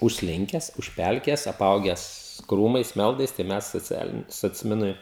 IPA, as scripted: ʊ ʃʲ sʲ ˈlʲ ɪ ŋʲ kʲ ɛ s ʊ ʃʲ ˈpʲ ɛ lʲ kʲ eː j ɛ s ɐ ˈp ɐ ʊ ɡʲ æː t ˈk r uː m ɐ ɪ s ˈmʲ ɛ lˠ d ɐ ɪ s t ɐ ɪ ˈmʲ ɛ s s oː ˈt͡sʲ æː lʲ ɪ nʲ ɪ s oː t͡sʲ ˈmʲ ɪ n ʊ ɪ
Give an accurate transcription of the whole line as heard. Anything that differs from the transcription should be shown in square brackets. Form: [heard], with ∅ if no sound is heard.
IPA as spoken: ʊ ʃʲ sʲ ˈlʲ ɪ ŋʲ kʲ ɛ s ʊ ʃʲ ˈpʲ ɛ lʲ kʲ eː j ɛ s ɐ ˈp ɐ ʊ ɡʲ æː [s] ˈk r uː m ɐ ɪ s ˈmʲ ɛ lˠ d ɐ ɪ s t ɐ ɪ ˈmʲ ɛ s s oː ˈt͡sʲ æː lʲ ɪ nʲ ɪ s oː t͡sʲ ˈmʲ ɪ n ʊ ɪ